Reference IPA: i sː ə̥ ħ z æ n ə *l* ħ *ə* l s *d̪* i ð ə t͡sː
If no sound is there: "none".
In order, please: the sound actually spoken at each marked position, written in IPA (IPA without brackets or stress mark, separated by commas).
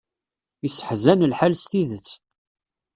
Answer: l, a, t̪